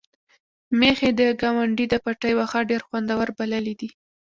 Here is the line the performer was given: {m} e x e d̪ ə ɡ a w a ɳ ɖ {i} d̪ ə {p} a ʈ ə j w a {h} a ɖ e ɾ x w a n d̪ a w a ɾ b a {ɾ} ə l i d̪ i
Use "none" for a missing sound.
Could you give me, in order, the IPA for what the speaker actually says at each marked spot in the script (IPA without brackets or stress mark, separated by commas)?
m, i, p, x, l